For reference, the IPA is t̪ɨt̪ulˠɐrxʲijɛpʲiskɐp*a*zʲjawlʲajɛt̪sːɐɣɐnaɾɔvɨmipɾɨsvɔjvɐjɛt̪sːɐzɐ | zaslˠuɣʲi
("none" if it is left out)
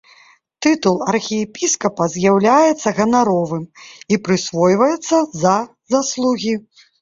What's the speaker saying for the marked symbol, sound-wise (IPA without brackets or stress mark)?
ɐ